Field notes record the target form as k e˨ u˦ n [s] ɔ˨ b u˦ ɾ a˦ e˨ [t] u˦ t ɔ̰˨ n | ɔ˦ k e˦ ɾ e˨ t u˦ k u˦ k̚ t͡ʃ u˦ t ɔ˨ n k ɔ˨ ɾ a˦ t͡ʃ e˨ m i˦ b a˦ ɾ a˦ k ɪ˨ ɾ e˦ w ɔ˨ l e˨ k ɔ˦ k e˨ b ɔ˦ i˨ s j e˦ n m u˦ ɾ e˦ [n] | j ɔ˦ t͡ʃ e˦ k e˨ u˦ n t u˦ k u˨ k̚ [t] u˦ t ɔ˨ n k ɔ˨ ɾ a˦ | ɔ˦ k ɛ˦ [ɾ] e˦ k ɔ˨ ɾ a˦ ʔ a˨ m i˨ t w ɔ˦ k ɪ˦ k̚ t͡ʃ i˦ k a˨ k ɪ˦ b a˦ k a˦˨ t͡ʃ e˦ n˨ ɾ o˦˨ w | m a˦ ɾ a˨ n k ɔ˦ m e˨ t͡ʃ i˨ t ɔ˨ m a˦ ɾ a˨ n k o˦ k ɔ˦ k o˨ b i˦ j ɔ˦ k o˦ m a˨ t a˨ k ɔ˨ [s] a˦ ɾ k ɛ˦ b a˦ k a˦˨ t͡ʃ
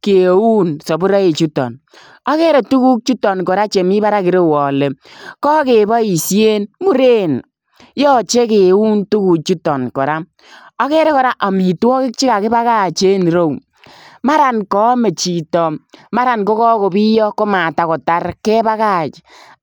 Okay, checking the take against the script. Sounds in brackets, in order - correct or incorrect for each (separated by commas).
correct, incorrect, correct, incorrect, correct, incorrect